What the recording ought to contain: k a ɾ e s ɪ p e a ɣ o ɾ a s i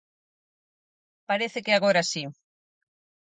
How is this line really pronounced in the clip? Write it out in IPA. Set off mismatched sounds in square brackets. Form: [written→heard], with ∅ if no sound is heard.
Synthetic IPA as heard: [k→p] a ɾ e [s→θ] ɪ [p→k] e a ɣ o ɾ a s i